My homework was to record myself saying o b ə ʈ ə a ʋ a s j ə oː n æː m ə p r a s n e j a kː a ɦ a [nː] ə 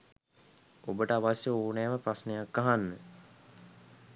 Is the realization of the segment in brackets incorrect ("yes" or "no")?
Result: no